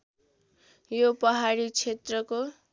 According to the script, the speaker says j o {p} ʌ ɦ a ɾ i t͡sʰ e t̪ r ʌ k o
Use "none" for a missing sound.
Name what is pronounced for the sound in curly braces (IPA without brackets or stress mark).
p